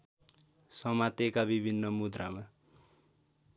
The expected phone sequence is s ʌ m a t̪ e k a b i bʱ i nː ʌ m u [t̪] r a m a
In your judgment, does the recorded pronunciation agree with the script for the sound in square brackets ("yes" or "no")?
no